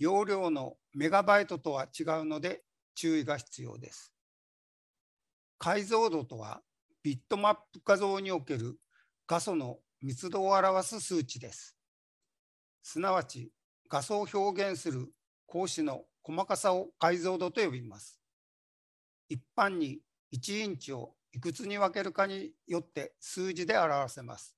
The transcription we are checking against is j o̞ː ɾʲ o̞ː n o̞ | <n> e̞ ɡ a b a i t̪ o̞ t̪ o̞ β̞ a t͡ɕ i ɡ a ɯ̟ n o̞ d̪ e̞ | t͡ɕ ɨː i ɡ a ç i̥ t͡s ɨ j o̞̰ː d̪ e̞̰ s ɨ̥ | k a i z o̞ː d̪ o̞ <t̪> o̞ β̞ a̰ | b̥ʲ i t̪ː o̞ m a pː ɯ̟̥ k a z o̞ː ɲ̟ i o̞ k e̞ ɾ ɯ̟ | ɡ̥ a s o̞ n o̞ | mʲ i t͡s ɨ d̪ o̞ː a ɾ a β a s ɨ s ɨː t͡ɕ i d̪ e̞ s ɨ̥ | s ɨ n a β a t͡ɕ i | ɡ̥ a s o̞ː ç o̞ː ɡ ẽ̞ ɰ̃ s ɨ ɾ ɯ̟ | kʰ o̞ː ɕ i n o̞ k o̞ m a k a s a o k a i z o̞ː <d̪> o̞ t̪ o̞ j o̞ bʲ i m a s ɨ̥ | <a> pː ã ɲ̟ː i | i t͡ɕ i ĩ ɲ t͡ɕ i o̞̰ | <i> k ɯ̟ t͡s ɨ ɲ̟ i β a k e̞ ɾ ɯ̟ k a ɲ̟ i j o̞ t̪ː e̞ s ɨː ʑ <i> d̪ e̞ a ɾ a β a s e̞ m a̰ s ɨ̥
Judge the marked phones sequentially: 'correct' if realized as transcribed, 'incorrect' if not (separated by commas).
incorrect, correct, correct, incorrect, correct, correct